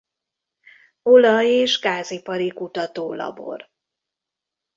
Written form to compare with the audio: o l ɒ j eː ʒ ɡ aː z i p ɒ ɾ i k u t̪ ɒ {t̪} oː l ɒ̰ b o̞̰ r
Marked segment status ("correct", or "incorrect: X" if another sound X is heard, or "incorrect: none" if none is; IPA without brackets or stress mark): correct